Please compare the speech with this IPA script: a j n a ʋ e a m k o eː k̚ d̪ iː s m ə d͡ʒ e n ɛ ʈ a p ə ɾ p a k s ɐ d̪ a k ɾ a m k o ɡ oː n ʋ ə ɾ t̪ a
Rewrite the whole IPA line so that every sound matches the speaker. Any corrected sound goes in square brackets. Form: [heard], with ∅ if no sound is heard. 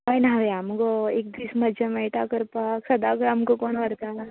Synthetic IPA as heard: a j n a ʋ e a m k o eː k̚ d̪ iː s m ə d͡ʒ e [m] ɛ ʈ a [k] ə ɾ p a k s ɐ d̪ a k ɾ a m k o [k] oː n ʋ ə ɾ t̪ a